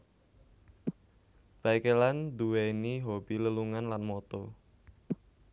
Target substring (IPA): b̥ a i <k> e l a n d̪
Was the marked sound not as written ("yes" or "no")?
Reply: no